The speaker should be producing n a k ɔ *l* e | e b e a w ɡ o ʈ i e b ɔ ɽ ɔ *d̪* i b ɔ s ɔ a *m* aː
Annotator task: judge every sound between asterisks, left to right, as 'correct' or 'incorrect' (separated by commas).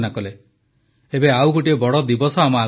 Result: correct, correct, correct